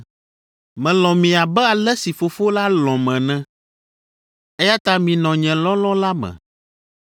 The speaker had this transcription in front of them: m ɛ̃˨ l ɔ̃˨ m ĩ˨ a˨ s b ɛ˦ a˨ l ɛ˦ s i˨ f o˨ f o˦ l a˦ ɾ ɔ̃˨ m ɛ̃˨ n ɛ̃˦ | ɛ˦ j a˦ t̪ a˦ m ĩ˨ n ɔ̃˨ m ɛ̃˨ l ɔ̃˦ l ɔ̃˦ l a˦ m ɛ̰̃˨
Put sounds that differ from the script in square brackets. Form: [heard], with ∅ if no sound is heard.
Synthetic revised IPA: m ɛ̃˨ l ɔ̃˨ m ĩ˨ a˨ [∅] b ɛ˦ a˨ l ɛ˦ s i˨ f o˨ f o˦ l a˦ [l] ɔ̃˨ m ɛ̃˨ n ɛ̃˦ | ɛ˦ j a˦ t̪ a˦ m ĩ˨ n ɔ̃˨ [ɲ] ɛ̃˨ l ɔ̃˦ l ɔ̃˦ l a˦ m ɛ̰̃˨